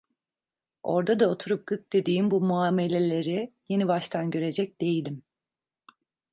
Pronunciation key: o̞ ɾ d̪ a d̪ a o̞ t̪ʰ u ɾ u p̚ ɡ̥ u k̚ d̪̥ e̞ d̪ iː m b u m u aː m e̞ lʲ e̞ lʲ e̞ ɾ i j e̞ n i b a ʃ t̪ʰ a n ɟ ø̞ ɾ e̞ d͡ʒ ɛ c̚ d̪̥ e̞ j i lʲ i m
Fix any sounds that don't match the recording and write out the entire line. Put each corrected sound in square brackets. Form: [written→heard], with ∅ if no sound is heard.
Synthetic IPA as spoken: o̞ ɾ d̪ a d̪ a o̞ t̪ʰ u ɾ u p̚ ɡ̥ [u→ɯ] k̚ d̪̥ e̞ d̪ iː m b u m u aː m e̞ lʲ e̞ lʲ e̞ ɾ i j e̞ n i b a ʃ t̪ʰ a n ɟ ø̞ ɾ e̞ d͡ʒ ɛ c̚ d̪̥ e̞ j i lʲ i m